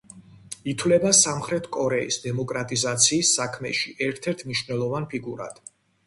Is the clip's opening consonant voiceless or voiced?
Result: voiceless